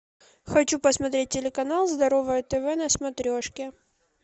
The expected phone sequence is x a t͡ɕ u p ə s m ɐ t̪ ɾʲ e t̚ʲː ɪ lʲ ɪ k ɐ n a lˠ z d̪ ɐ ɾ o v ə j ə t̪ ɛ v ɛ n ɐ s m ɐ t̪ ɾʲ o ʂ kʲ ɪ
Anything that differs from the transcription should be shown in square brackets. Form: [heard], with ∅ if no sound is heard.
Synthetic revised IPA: x [ɐ] t͡ɕ u p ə s m ɐ t̪ ɾʲ e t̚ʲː ɪ lʲ ɪ k ɐ n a lˠ z d̪ ɐ ɾ o v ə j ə t̪ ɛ v ɛ n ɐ s m ɐ t̪ ɾʲ o ʂ kʲ ɪ